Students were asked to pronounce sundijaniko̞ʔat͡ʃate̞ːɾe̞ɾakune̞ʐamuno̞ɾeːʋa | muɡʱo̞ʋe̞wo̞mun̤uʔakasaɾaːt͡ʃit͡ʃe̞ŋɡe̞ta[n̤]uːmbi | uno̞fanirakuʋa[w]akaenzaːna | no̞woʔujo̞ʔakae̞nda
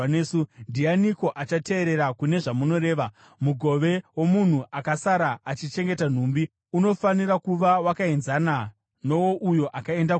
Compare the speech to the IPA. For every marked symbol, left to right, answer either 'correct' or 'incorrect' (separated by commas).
correct, correct